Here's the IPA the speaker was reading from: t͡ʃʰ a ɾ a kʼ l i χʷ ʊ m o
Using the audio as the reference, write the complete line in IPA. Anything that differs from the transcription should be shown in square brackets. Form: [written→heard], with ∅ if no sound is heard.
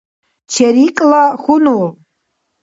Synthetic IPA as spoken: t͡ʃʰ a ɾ [a→i] kʼ l [i→a] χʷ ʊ [m→n] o

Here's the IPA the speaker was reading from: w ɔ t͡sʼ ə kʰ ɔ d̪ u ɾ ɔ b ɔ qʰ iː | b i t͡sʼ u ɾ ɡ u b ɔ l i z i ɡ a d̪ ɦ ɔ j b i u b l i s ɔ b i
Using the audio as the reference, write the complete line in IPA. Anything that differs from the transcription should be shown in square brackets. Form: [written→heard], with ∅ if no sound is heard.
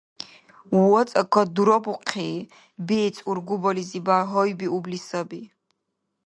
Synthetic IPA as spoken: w ɔ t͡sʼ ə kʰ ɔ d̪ u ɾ ɔ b [ɔ→u] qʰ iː | b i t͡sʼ u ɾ ɡ u b ɔ l i z i [ɡ→b] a [d̪→∅] ɦ ɔ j b i u b l i s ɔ b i

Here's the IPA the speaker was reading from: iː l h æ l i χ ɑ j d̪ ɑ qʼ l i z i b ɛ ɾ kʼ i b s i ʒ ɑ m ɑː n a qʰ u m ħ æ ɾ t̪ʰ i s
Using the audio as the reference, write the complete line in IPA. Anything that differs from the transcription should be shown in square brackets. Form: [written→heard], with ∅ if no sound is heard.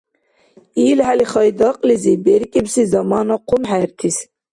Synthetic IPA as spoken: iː l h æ l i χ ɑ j d̪ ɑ qʼ l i z i b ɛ ɾ kʼ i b s i [ʒ→z] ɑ m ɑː n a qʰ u m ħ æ ɾ t̪ʰ i s

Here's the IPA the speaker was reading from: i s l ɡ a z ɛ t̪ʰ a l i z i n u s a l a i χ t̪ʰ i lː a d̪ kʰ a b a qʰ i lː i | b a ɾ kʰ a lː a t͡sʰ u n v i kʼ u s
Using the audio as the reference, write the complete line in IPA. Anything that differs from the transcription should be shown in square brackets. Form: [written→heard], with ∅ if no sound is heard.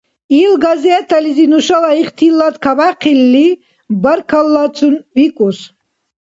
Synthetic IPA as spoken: i [s→∅] l ɡ a z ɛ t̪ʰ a l i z i n u [s→ʃ] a l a i χ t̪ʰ i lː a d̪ kʰ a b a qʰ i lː i | b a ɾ kʰ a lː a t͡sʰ u n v i kʼ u s

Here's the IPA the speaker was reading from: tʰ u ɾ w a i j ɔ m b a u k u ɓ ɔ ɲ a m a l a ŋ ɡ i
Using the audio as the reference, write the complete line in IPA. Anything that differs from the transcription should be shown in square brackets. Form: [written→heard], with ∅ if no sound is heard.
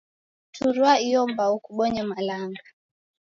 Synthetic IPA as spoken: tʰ u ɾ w a i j ɔ m b a u k u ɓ ɔ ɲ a m a l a ŋ ɡ [i→a]

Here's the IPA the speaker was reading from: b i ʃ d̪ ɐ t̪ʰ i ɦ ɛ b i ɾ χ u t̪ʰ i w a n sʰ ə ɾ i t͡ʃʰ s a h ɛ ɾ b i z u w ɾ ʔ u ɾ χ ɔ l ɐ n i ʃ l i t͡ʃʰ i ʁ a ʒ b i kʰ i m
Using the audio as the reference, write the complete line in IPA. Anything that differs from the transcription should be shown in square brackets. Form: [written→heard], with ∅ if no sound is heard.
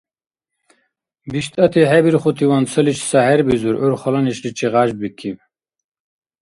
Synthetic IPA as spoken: b i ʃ [d̪→t̪] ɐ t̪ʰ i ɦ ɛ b i ɾ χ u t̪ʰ i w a n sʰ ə [ɾ→l] i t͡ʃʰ s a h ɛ ɾ b i z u [w→∅] ɾ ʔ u ɾ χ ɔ l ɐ n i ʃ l i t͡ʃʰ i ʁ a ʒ b i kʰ i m

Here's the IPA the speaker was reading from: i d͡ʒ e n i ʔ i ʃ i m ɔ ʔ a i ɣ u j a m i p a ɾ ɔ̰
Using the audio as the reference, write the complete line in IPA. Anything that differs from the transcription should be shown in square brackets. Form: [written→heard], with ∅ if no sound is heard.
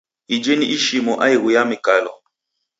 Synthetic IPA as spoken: i d͡ʒ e n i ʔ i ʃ i m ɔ ʔ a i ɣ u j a m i [p→k] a [ɾ→l] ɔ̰

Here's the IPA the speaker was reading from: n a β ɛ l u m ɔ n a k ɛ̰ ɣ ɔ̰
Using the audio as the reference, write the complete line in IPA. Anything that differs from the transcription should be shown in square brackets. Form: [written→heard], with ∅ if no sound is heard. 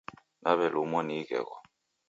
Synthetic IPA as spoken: n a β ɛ l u m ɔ n [a→i] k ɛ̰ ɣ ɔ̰

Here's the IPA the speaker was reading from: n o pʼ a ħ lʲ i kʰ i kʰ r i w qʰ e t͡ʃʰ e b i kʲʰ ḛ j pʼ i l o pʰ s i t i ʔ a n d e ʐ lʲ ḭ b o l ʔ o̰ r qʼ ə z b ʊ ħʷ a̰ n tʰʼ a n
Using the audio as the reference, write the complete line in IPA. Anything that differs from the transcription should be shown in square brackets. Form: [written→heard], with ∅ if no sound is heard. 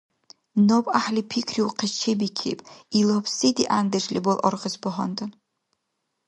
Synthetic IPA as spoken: n o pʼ a ħ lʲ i [kʰ→pʰ] i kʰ r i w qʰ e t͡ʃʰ e b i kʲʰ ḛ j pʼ i l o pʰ s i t i ʔ a n d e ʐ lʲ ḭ b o l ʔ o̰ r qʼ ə z b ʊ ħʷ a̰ n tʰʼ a n

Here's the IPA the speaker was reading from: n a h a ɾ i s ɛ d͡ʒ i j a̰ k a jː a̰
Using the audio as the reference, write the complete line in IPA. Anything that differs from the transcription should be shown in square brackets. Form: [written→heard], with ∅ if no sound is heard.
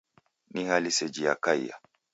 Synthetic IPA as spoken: n [a→i] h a [ɾ→l] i s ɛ d͡ʒ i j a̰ k a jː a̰

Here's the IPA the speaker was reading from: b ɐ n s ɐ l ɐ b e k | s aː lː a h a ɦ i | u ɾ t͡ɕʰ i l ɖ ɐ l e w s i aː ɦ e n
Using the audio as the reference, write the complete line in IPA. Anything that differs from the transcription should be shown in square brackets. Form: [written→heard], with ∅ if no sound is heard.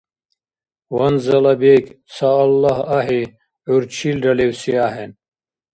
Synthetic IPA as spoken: [b→w] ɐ n [s→z] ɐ l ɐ b e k | s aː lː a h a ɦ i | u ɾ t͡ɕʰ i l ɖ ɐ l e w s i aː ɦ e n

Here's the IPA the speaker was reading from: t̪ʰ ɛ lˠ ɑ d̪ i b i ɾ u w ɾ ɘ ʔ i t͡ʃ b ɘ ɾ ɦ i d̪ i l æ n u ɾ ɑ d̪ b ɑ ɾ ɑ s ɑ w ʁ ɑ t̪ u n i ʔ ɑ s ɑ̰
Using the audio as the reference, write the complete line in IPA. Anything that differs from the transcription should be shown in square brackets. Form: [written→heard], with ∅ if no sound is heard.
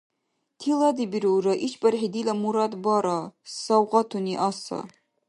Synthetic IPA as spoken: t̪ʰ [ɛ→i] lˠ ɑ d̪ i b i ɾ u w ɾ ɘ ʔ i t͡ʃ b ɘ ɾ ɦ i d̪ i l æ [n→m] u ɾ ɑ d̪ b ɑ ɾ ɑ s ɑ w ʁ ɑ t̪ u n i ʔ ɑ s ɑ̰

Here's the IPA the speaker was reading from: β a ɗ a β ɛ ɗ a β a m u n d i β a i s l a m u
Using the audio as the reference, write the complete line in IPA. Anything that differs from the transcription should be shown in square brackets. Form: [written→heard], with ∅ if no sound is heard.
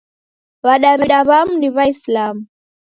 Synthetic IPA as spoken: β a ɗ a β ɛ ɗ a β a m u n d i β a i s l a m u

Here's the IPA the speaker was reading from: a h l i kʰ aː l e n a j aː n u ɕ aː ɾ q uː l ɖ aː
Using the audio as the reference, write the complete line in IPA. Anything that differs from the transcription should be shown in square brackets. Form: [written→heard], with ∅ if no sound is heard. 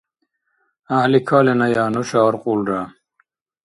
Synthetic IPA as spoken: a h l i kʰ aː l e n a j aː n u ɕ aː ɾ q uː l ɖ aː

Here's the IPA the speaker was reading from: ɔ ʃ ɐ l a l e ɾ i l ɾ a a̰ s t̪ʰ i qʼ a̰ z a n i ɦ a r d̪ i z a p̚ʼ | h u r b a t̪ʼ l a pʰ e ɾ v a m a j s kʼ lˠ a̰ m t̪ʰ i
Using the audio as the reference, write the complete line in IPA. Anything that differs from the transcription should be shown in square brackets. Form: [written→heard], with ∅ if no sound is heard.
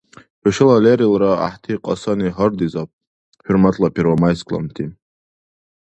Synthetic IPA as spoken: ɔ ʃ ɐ l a l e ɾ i l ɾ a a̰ [s→ħ] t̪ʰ i qʼ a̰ [z→s] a n i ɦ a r d̪ i z a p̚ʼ | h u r [b→m] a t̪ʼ l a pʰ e ɾ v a m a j s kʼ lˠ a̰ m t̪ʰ i

